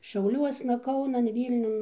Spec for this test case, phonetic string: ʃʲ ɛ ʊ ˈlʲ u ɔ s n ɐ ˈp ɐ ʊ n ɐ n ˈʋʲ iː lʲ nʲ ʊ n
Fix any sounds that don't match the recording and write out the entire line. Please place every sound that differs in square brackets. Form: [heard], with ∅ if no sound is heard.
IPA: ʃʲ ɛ ʊ ˈlʲ u ɔ s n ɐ [ˈk] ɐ ʊ n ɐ n ˈʋʲ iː lʲ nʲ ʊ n